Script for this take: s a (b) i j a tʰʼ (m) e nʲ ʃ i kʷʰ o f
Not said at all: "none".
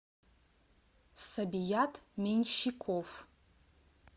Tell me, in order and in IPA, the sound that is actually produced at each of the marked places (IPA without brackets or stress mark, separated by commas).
b, m